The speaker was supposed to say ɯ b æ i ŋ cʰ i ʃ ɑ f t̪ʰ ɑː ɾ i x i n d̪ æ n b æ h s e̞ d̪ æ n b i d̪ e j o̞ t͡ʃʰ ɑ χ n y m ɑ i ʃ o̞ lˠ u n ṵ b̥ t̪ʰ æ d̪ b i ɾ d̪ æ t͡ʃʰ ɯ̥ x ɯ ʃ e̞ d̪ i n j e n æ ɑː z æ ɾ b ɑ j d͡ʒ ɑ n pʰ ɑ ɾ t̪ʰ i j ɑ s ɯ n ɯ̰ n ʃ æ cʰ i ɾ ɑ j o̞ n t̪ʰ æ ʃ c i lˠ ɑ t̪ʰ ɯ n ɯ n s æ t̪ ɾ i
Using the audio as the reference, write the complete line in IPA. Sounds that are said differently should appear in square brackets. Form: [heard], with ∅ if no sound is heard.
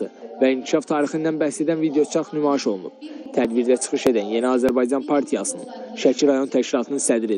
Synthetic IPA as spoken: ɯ [v] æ i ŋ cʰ i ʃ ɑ f t̪ʰ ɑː ɾ i x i n d̪ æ n b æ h s e̞ d̪ æ n [v] i d̪ e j o̞ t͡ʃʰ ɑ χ n y m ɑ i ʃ o̞ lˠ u n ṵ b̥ t̪ʰ æ d̪ b i ɾ d̪ æ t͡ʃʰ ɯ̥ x ɯ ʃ e̞ d̪ [æ] n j e n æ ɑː z æ ɾ b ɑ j d͡ʒ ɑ n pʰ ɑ ɾ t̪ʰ i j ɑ s ɯ n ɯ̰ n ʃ æ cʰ i ɾ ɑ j o̞ n t̪ʰ æ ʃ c i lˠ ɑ t̪ʰ ɯ n ɯ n s æ [d̪] ɾ i

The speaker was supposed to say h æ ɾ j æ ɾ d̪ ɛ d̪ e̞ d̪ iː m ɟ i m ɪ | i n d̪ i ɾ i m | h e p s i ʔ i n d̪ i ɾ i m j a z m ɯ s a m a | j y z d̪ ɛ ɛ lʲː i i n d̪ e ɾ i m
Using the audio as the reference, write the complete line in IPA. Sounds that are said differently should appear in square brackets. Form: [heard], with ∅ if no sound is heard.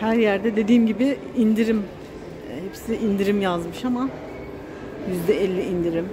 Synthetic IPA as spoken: h æ ɾ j æ ɾ d̪ ɛ d̪ e̞ d̪ iː m ɟ i [b] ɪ | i n d̪ i ɾ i m | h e p s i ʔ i n d̪ i ɾ i m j a z m ɯ [ʃ] a m a | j y z d̪ ɛ ɛ lʲː i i n d̪ [i] ɾ i m

